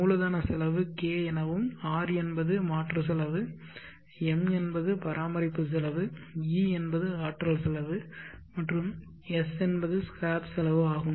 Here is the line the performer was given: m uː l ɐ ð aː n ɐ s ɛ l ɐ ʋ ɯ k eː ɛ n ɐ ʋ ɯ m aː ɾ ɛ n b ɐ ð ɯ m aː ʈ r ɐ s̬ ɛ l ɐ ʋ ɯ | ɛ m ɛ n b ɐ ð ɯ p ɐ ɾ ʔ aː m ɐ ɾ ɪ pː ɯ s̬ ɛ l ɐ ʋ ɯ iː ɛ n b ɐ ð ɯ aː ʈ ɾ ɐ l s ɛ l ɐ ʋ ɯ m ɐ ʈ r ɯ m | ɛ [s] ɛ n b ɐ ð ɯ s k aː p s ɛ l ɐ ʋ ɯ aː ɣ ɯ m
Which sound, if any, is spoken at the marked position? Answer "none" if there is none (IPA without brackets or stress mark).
s